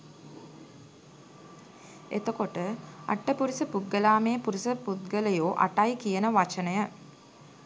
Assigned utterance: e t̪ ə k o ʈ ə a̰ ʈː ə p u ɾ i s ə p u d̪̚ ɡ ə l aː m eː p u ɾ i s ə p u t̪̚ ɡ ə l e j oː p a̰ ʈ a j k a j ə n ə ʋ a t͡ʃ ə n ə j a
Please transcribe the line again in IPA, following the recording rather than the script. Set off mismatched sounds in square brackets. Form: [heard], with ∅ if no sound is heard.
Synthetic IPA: e t̪ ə k o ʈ ə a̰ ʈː ə p u ɾ i s ə p u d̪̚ ɡ ə l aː m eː p u ɾ i s ə p u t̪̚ ɡ ə l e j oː [ʔ] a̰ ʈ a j k [i] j ə n ə ʋ a t͡ʃ ə n ə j [ə]